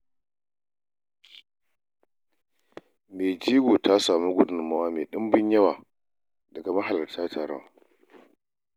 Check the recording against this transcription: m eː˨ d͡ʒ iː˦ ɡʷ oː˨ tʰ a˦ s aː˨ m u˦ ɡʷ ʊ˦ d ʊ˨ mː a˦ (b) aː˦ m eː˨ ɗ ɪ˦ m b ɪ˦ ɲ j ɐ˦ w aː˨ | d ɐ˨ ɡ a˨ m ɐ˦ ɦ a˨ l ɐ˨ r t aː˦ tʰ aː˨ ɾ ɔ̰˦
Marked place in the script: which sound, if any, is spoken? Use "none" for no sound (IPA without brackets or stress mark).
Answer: w